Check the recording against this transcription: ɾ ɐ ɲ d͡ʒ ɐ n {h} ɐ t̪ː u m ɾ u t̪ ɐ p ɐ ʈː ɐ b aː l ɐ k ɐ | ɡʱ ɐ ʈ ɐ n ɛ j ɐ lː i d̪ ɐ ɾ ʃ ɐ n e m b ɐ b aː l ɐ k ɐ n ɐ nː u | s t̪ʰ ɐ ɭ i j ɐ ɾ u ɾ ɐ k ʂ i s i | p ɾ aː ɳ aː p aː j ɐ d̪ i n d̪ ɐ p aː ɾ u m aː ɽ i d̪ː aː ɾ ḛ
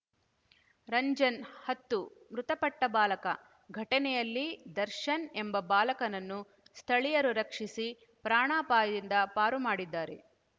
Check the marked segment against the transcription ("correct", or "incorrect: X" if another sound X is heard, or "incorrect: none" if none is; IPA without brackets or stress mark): correct